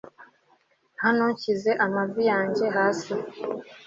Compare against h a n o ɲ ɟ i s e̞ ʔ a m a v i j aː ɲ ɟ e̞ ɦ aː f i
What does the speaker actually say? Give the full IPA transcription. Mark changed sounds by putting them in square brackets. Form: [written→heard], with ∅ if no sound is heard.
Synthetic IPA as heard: h a n o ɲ [ɟ→c] i [s→z] e̞ ʔ a m a v i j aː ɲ ɟ e̞ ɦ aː [f→s] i